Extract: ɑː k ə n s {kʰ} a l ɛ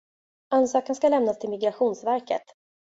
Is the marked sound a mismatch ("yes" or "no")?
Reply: yes